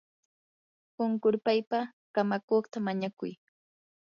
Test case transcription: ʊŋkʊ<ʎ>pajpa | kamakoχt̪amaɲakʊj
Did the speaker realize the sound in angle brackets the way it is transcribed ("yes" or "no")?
no